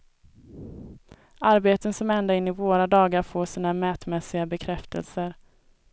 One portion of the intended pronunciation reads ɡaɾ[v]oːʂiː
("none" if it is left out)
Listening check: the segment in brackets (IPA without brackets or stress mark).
f